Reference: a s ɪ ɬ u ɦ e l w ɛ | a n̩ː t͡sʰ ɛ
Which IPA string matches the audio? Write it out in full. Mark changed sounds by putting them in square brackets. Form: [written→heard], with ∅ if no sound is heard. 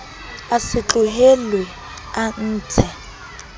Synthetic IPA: a s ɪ [ɬ→t͡ɬ] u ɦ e l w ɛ | a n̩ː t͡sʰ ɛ